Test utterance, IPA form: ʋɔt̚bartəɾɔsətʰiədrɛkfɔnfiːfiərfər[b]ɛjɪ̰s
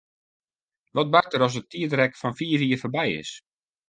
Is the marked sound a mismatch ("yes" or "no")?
no